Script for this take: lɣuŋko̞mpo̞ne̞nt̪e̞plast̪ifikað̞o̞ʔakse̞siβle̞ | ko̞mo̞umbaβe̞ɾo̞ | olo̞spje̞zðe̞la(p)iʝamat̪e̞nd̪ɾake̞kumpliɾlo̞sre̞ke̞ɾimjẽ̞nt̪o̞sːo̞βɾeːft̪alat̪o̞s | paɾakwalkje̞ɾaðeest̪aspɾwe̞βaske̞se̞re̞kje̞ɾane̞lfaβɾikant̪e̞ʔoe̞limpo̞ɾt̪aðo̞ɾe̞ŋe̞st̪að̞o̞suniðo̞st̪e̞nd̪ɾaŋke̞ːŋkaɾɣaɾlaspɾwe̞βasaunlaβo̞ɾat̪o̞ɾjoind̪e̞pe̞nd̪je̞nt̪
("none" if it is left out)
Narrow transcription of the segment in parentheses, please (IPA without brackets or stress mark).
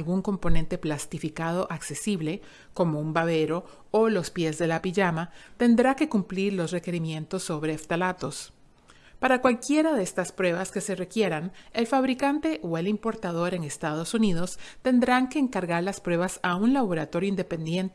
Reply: p